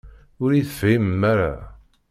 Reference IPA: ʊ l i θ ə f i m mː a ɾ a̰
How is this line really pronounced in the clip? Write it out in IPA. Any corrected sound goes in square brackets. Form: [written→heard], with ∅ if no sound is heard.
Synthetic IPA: ʊ [l→ɾ] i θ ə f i m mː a ɾ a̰